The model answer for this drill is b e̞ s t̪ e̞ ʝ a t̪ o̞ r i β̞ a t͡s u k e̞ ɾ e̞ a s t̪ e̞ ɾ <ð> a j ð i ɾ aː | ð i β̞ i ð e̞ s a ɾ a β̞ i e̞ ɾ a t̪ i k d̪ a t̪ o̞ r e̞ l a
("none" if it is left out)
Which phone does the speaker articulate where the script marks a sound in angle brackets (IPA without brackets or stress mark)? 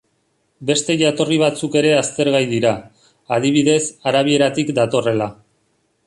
ɣ